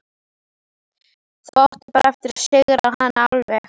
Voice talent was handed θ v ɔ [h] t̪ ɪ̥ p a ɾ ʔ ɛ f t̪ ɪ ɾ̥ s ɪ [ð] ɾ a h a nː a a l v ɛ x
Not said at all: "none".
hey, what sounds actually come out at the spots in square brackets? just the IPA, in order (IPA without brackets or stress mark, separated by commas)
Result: h, ɣ